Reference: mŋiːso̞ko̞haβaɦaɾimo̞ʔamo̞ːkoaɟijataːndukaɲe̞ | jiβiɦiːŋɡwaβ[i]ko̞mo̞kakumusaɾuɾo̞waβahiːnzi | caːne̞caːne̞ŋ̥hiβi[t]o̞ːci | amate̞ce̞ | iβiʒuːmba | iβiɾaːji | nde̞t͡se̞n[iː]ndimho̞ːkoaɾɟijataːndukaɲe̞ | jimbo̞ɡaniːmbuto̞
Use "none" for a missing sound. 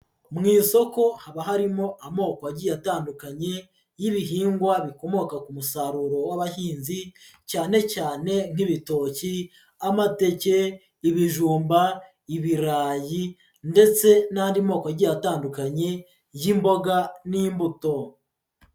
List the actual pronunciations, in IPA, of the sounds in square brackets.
i, t, aː

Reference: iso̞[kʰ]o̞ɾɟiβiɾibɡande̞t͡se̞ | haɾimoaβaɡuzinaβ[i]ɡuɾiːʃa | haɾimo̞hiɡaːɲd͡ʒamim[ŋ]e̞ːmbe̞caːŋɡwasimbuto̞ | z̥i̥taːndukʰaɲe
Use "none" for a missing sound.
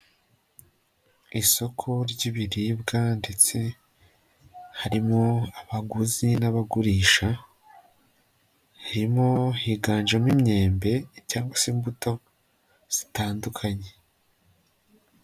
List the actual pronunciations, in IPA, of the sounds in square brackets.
kʰ, a, ɲ

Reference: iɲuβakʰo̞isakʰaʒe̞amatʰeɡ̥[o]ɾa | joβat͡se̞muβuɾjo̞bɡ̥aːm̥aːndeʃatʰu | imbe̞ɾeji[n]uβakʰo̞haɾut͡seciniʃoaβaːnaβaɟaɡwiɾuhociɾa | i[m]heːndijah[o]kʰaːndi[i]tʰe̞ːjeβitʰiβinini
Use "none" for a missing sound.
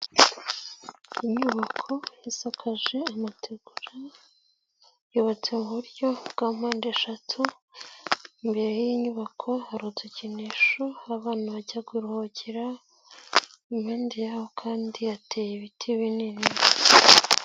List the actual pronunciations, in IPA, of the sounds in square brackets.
u, ɲ, m, o, a

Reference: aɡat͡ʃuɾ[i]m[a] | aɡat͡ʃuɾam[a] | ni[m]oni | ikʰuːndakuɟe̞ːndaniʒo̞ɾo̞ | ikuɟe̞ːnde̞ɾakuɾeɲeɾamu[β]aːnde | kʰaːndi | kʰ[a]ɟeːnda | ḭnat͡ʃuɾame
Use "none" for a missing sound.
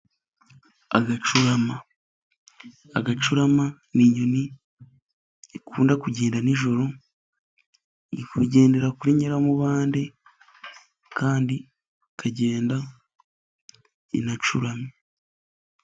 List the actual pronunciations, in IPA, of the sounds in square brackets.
a, a, a, ɲ, β, a

